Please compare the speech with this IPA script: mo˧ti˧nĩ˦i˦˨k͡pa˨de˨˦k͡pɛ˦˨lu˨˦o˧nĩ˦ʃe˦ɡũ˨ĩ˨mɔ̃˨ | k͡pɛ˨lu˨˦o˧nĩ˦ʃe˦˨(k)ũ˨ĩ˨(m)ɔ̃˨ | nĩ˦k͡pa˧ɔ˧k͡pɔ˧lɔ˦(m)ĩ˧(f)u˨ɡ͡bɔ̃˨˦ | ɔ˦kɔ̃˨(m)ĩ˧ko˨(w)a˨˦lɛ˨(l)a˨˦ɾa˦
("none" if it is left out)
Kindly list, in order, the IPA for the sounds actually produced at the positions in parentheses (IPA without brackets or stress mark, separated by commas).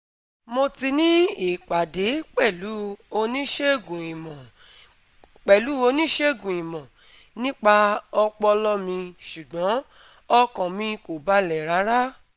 ɡ, m, m, ʃ, m, b, ɾ